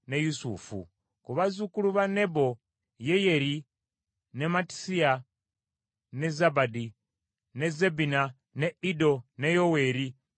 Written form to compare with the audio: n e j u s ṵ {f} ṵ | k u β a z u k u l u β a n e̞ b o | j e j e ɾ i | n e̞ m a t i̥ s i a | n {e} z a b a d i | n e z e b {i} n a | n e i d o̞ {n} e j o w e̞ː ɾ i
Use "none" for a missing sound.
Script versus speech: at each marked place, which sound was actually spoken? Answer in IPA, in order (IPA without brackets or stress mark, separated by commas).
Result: f, e, i, n